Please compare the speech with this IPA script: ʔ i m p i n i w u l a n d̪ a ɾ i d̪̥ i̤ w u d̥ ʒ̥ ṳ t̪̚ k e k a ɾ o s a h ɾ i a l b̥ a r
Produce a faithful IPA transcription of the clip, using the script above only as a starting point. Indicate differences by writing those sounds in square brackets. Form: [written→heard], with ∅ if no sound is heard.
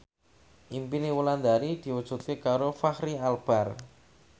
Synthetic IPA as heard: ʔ i m p i n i w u l a n d̪ a ɾ i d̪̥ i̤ w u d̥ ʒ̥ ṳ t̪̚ k e k a ɾ o [s→f] a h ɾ i a l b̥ a r